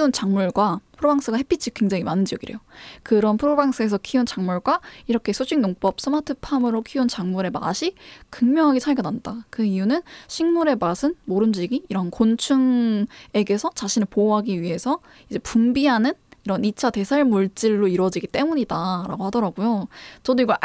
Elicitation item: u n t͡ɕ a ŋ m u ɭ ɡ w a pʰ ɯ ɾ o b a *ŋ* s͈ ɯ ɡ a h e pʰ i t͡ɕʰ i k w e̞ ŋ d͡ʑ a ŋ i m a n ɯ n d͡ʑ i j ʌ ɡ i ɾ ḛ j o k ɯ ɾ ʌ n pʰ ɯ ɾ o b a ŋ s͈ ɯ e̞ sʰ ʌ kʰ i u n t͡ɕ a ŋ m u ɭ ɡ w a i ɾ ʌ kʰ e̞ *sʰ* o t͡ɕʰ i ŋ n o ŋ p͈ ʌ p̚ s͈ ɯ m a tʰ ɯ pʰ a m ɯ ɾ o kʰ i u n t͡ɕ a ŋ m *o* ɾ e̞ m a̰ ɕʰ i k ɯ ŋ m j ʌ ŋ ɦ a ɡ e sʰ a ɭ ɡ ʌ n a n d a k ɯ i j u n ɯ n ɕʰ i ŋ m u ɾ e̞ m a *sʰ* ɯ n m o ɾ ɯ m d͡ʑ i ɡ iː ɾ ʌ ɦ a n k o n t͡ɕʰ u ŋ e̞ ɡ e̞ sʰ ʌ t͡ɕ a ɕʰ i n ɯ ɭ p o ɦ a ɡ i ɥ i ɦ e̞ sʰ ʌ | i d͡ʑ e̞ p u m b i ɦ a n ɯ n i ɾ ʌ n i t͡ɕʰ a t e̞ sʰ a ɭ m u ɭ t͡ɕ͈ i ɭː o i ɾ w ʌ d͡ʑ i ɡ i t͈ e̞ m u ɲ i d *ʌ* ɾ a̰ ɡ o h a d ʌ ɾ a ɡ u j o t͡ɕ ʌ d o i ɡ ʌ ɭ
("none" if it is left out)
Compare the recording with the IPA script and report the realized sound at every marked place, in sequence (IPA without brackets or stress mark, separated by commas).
ŋ, sʰ, u, sʰ, a